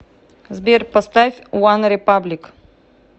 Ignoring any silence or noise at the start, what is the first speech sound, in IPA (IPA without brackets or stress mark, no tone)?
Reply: z